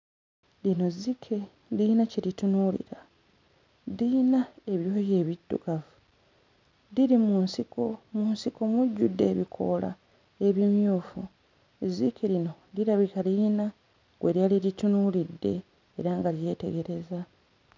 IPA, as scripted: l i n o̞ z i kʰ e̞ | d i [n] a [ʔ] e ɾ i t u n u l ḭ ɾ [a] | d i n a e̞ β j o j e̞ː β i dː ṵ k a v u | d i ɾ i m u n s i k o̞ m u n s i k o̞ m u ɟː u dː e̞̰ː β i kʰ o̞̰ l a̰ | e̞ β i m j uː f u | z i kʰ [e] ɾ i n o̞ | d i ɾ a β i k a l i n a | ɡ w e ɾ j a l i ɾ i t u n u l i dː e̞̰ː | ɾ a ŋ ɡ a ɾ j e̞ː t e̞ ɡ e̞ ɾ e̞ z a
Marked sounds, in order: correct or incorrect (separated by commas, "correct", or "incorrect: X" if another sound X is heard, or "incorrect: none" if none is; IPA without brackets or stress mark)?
correct, incorrect: c, correct, correct